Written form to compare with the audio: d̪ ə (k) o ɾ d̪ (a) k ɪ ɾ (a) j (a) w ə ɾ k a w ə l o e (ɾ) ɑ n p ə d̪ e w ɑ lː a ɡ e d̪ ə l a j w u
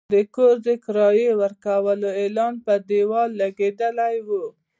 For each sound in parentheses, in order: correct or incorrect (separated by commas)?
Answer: correct, incorrect, incorrect, incorrect, incorrect